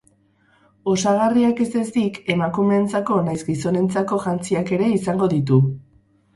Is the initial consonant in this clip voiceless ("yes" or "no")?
yes